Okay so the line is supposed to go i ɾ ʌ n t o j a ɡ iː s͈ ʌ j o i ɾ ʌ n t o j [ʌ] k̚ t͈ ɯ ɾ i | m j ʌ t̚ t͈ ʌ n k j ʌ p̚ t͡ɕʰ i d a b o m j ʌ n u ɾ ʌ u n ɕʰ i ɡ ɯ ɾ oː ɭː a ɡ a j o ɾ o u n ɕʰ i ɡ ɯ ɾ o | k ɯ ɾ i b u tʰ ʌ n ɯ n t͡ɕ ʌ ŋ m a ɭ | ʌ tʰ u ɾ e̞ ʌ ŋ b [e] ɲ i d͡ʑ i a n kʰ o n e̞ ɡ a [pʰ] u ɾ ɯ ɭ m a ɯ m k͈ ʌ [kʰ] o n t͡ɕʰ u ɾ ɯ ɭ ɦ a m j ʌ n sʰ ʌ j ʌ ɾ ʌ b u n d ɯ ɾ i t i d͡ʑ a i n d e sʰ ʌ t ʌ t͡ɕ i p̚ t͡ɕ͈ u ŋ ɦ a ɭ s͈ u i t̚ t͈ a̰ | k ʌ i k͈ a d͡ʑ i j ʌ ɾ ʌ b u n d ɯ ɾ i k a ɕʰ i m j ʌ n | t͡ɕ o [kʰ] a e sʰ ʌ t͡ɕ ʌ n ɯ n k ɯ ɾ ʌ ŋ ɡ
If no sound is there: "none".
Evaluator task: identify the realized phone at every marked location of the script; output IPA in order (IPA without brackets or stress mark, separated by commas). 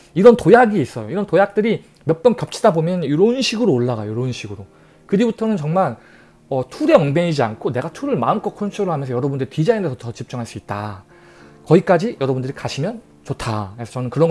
a, e, tʰ, kʰ, tʰ